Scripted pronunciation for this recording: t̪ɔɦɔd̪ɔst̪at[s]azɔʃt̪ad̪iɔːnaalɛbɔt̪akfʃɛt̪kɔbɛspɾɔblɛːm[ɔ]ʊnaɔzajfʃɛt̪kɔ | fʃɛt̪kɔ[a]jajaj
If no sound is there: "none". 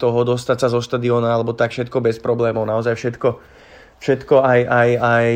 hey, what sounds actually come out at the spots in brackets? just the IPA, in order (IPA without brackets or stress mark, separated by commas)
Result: s, ɔ, a